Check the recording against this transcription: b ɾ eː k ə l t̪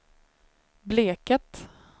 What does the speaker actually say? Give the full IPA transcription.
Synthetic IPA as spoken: b l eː k ə t̪